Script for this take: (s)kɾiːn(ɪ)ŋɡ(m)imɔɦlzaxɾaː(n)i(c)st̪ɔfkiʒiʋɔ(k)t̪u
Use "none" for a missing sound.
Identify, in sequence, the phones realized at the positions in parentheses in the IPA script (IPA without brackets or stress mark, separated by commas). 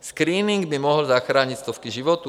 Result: s, i, b, ɲ, c, none